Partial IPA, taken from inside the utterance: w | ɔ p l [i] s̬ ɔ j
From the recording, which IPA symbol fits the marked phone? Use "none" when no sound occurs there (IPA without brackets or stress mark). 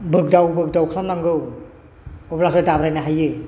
a